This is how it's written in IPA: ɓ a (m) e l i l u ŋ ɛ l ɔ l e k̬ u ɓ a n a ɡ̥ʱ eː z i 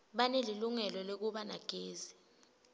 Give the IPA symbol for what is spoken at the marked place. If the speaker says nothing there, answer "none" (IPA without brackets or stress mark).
n